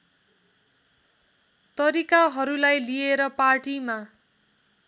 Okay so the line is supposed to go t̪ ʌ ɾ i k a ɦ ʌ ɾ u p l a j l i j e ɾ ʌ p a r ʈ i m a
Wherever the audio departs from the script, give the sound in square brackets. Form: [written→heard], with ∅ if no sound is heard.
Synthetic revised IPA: t̪ ʌ ɾ i k a ɦ ʌ ɾ u [p→∅] l a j l i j e ɾ ʌ p a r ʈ i m a